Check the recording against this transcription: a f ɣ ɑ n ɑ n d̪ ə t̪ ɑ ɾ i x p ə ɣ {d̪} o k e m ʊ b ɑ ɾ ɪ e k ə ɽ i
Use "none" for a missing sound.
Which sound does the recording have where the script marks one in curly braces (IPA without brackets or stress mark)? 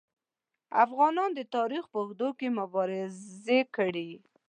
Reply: d̪